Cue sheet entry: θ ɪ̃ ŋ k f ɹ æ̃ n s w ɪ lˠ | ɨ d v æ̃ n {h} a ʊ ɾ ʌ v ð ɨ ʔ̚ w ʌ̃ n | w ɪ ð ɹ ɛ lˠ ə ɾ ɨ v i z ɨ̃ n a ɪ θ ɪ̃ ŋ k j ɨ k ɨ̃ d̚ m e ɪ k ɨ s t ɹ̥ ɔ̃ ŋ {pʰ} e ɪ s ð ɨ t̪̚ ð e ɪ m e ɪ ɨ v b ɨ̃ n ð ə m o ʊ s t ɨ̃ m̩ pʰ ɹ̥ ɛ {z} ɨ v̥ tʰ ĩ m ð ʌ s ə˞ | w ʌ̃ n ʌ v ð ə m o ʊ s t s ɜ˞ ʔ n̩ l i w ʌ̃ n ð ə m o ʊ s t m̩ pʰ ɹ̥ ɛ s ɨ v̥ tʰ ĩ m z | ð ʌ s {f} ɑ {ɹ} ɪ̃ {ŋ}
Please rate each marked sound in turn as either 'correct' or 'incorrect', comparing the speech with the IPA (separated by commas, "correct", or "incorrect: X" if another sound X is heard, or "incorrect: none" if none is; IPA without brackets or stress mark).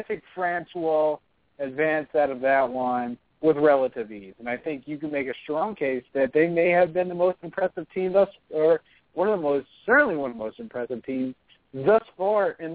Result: incorrect: s, incorrect: kʰ, incorrect: s, correct, correct, incorrect: n